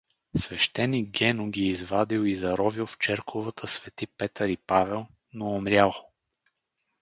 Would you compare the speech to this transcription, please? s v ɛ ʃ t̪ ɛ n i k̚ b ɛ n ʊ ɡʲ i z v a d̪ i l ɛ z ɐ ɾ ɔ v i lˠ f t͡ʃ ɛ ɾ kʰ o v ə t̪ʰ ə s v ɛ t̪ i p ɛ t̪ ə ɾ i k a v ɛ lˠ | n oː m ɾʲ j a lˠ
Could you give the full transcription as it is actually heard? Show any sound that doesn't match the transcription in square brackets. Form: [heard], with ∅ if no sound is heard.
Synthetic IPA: s v ɛ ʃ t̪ ɛ n i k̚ [ɡ] ɛ n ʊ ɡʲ [iː] z v a d̪ i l [i] z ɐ ɾ ɔ v i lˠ f t͡ʃ ɛ ɾ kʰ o v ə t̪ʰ ə s v ɛ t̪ i p ɛ t̪ ə ɾ i [p] a v ɛ lˠ | n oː m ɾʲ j a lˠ